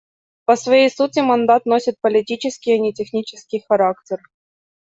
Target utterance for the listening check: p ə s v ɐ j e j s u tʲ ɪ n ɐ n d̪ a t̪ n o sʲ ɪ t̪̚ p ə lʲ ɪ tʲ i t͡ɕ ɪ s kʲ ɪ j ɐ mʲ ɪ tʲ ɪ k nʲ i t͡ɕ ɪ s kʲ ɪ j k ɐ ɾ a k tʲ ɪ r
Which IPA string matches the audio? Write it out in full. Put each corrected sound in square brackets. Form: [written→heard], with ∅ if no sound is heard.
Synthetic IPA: p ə s v ɐ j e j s u tʲ ɪ [n→m] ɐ n d̪ a t̪ n o sʲ ɪ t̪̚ p ə lʲ ɪ tʲ i t͡ɕ ɪ s kʲ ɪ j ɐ [mʲ→nʲ] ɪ tʲ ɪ [k→x] nʲ i t͡ɕ ɪ s kʲ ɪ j [k→x] ɐ ɾ a k tʲ ɪ r

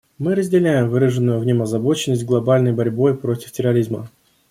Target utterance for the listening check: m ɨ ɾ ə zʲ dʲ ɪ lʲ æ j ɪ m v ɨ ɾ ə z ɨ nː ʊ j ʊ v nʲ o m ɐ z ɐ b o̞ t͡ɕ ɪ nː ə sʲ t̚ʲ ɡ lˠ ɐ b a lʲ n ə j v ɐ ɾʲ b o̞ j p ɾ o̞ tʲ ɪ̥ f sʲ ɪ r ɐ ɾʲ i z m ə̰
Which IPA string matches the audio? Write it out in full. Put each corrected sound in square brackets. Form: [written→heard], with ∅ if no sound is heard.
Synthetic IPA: m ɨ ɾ ə zʲ dʲ ɪ lʲ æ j ɪ m v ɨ ɾ ə [z→ʐ] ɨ nː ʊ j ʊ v nʲ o m ɐ z ɐ b o̞ t͡ɕ ɪ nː ə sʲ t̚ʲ ɡ lˠ ɐ b a lʲ n ə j [v→b] ɐ ɾʲ b o̞ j p ɾ o̞ tʲ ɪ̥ f [sʲ→tʲ] ɪ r ɐ ɾʲ i z m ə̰

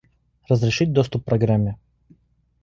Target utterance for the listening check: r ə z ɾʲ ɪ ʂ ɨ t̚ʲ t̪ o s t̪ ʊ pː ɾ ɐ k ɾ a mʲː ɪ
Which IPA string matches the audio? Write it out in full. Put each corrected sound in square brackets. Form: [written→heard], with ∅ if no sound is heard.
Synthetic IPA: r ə z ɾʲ ɪ ʂ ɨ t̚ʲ [t̪→d̪] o s t̪ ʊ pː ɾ ɐ [k→ɡ] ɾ a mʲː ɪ

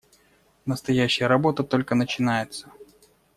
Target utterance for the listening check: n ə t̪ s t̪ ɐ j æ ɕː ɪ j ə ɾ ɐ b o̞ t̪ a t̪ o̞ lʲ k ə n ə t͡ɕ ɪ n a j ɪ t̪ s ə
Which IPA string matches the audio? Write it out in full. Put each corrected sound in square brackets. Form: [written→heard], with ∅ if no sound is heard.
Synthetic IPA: n ə [t̪→∅] s t̪ ɐ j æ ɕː ɪ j ə ɾ ɐ b o̞ t̪ [a→ə] t̪ o̞ lʲ k ə n ə t͡ɕ ɪ n a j ɪ t̪ s ə

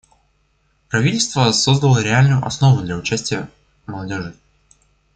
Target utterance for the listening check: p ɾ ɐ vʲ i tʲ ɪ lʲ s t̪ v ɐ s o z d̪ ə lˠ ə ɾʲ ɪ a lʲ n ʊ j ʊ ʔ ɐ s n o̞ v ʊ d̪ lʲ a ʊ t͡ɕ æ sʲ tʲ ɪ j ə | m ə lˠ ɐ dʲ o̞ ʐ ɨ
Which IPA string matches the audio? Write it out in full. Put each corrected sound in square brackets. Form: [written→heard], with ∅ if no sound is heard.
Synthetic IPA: p ɾ ɐ vʲ i tʲ ɪ lʲ s t̪ v [ɐ→ə] s o z d̪ ə lˠ ə ɾʲ ɪ a lʲ n ʊ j ʊ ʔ ɐ s n o̞ v ʊ d̪ lʲ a ʊ t͡ɕ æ sʲ tʲ ɪ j ə | m ə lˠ ɐ dʲ o̞ ʐ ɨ

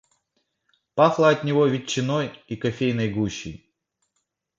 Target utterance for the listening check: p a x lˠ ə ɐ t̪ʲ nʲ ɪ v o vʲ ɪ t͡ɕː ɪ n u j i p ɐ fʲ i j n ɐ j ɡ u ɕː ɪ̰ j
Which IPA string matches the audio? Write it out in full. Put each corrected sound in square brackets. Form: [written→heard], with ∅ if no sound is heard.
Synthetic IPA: p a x lˠ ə ɐ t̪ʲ nʲ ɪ v o vʲ ɪ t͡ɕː ɪ n [u→o] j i [p→k] ɐ fʲ [i→e] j n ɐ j ɡ u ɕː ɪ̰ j

